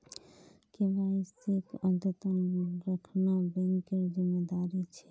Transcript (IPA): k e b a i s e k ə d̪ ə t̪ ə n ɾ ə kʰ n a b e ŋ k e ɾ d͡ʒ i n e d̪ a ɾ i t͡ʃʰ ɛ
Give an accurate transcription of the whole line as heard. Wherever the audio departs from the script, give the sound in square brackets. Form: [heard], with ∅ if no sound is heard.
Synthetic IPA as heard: k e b a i s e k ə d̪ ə t̪ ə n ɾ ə kʰ n a b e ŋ k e ɾ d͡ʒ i [m] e d̪ a ɾ i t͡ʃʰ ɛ

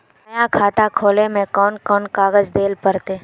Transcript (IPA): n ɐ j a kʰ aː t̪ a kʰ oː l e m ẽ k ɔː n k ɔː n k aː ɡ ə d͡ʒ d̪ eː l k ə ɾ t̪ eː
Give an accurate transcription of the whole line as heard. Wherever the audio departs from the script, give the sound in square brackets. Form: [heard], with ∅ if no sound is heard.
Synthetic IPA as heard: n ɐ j a kʰ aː t̪ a kʰ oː l e m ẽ k ɔː n k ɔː n k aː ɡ ə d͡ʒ d̪ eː l [p] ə ɾ t̪ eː

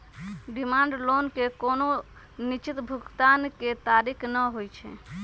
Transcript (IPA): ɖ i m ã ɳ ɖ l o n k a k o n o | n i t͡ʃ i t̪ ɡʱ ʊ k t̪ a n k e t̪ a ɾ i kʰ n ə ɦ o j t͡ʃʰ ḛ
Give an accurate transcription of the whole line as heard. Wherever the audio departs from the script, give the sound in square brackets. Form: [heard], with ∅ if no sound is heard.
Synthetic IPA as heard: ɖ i m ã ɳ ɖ l o n k [e] k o n o | n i t͡ʃ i t̪ [bʱ] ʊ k t̪ a n k e t̪ a ɾ i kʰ n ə ɦ o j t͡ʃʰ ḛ

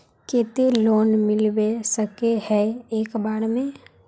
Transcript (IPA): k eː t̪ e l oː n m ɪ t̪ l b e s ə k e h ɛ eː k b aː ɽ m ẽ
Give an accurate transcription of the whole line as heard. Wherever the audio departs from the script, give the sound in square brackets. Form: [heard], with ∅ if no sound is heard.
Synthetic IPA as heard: k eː t̪ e l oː n m ɪ [∅] l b e s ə k e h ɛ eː k b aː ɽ m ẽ

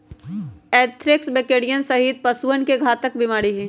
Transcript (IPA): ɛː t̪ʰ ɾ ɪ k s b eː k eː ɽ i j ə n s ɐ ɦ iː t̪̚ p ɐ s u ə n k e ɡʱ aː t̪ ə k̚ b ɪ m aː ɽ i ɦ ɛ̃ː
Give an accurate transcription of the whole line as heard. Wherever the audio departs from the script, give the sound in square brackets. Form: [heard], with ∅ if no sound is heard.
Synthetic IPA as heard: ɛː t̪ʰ ɾ ɪ k s b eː k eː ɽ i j ə n s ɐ ɦ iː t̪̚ p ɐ s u ə n k e ɡʱ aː t̪ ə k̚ b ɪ m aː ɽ i ɦ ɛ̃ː

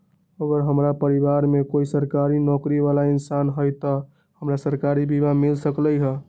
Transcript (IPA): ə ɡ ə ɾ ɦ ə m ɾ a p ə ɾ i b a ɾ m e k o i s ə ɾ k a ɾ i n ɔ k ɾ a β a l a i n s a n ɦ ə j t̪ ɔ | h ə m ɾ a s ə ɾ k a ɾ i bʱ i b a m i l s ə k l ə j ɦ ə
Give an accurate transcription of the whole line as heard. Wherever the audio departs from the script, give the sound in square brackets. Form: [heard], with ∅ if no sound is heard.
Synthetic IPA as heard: ə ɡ ə ɾ ɦ ə m ɾ a p ə ɾ i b a ɾ m e k o i s ə ɾ k a ɾ i n ɔ k ɾ [i] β a l a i n s a n ɦ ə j t̪ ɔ | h ə m ɾ a s ə ɾ k a ɾ i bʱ i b a m i l s ə k l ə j ɦ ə

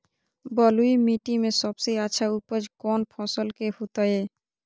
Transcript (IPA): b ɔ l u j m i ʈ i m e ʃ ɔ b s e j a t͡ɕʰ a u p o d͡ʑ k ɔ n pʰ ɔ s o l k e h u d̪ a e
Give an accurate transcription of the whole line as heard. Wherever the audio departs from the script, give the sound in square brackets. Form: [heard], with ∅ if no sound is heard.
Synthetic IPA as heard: b ɔ l u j m i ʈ i m e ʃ ɔ b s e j a t͡ɕʰ a u p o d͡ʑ k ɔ n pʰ ɔ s o l k e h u [t̪] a e

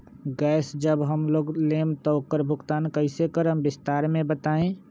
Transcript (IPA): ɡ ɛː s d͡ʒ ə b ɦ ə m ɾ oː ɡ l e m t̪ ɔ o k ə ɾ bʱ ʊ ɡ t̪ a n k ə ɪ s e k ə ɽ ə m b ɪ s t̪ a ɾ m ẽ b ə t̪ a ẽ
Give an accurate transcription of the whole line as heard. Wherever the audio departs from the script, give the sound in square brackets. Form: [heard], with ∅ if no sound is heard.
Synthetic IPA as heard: ɡ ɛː s d͡ʒ ə b ɦ ə m [l] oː ɡ l e m t̪ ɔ o k ə ɾ bʱ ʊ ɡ t̪ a n k ə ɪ s e k ə [ɾ] ə m b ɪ s t̪ a ɾ m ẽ b ə t̪ a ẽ

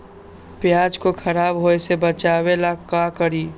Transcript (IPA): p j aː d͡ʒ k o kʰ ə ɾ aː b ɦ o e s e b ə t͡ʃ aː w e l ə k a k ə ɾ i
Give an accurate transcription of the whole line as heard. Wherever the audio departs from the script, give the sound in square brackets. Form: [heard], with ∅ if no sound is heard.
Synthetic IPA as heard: p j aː d͡ʒ k o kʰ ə ɾ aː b ɦ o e s e b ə t͡ʃ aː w e l [a] k a k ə ɾ i

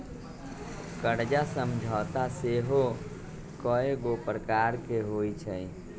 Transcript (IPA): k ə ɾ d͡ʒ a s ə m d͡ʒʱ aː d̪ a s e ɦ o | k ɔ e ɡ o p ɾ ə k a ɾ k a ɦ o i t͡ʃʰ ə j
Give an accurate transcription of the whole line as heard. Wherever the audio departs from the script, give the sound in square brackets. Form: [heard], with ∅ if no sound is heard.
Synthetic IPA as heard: k ə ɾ d͡ʒ a s ə m d͡ʒʱ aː [t̪] a s e ɦ o | k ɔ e ɡ o p ɾ ə k a ɾ k [e] ɦ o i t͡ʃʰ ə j

